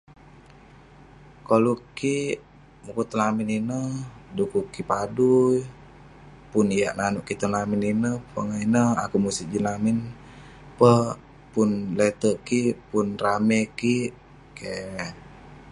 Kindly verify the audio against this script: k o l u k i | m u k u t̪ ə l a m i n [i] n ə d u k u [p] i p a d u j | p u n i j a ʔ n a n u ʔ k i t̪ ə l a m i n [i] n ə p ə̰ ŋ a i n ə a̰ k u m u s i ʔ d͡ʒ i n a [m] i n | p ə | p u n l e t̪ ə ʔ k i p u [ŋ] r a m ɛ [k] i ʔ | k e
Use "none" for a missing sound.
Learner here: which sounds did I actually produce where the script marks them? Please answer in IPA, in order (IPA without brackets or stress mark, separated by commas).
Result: i, k, i, m, n, k